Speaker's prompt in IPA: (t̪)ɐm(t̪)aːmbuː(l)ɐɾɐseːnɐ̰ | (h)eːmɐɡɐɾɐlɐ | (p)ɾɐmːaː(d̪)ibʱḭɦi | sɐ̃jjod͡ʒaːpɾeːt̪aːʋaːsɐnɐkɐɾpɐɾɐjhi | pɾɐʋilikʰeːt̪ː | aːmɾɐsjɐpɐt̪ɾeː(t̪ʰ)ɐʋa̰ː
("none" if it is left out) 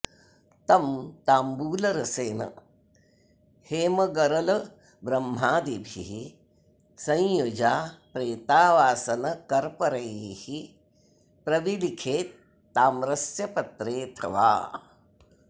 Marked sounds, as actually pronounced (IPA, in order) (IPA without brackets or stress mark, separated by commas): t̪, t̪, l, h, b, d̪, t̪ʰ